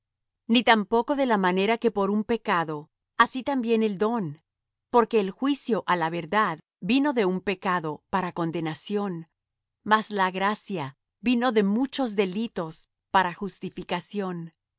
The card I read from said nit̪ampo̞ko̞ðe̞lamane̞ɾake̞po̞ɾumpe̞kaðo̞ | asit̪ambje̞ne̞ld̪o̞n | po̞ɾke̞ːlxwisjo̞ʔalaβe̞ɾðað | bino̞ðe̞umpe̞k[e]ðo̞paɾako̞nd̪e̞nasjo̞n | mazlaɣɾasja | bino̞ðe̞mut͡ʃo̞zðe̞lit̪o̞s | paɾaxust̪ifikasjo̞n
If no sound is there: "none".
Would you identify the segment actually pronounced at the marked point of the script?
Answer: a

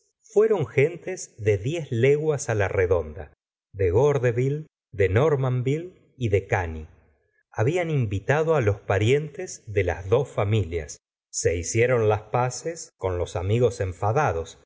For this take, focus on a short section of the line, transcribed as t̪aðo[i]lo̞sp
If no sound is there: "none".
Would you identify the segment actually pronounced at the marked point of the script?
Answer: a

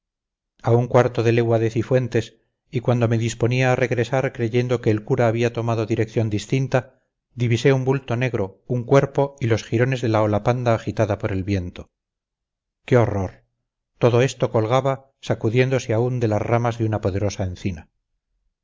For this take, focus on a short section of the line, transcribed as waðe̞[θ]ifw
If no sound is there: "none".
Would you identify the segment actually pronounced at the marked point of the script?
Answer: θ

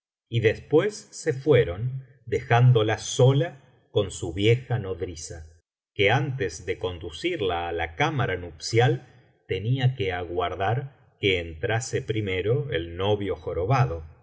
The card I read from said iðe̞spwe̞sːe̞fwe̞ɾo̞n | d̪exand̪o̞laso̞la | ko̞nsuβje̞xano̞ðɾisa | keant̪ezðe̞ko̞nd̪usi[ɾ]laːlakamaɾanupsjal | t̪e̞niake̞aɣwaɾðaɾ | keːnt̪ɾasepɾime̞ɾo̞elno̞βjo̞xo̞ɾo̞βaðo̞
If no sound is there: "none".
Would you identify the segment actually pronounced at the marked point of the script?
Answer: ɾ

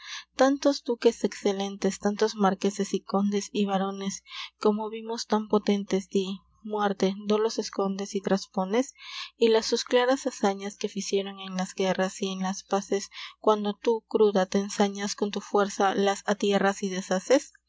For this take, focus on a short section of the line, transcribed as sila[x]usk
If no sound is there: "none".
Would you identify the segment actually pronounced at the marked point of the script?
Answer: s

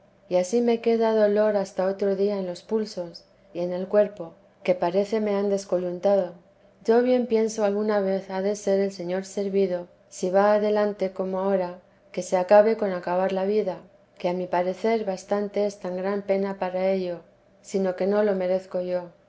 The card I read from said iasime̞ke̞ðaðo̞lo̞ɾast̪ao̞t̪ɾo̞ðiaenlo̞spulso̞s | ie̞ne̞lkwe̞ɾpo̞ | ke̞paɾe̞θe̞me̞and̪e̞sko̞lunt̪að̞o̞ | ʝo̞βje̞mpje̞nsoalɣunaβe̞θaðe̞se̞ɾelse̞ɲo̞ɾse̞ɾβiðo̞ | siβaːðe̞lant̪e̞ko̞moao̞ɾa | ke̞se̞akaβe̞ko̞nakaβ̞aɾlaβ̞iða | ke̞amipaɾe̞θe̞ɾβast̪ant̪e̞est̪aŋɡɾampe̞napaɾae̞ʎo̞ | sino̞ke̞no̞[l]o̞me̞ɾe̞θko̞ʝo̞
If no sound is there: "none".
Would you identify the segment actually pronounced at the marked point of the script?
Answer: l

